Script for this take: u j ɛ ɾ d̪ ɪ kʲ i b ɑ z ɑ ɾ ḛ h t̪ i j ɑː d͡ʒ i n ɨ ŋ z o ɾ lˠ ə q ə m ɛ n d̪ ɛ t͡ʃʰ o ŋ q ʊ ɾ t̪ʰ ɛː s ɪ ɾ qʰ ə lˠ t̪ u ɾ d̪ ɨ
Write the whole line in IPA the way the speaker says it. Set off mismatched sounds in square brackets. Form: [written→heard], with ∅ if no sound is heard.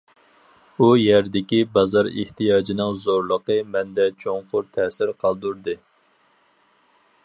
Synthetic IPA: u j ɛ ɾ d̪ ɪ kʲ i b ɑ z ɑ ɾ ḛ h t̪ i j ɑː d͡ʒ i n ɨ ŋ z o ɾ lˠ ə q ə m ɛ n d̪ ɛ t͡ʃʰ o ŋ q ʊ ɾ t̪ʰ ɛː s ɪ ɾ qʰ [ə→ɑ] lˠ [t̪→d̪] u ɾ d̪ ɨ